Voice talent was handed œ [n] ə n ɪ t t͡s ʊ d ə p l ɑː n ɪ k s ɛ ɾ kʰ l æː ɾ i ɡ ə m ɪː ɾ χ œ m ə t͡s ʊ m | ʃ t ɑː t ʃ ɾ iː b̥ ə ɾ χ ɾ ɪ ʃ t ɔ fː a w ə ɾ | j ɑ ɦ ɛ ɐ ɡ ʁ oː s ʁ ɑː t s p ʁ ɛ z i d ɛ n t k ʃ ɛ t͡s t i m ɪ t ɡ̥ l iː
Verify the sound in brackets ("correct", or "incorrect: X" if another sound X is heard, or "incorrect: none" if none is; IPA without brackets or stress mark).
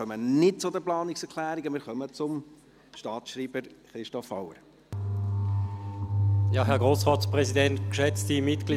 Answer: incorrect: m